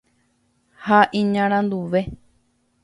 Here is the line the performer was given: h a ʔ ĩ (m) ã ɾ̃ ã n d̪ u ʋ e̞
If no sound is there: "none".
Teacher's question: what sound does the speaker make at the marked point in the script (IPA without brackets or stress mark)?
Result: ɲ